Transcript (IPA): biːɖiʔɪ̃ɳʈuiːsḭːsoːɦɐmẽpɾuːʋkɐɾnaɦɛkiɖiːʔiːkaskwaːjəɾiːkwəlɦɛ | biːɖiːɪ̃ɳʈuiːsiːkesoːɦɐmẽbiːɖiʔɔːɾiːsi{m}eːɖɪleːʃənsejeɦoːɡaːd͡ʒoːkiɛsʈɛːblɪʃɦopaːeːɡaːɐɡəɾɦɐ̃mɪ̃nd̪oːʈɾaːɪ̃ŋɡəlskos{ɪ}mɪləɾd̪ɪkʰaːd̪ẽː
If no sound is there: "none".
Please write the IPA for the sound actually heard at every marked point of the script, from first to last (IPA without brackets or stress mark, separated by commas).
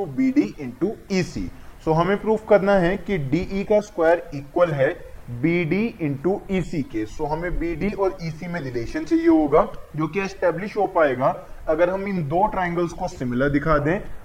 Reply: m, ɪ